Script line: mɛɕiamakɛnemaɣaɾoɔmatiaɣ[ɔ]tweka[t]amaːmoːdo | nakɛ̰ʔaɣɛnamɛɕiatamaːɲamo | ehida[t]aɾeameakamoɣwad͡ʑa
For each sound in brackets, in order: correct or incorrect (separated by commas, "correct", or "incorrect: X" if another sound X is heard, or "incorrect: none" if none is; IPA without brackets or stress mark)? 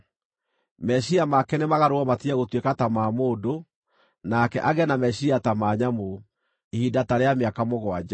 incorrect: o, correct, correct